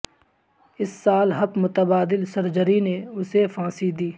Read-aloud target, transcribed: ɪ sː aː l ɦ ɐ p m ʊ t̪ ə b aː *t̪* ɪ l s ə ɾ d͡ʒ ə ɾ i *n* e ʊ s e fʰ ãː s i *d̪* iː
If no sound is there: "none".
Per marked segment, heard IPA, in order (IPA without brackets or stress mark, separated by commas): d̪, n, d̪